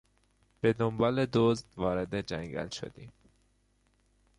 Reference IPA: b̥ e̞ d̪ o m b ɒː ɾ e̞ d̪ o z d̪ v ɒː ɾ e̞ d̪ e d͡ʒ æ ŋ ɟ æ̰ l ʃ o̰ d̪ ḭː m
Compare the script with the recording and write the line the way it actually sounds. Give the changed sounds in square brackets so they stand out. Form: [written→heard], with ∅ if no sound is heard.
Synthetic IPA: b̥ e̞ d̪ o m b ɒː [ɾ→l] e̞ d̪ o z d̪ v ɒː ɾ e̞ d̪ e d͡ʒ æ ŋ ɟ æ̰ l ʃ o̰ d̪ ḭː m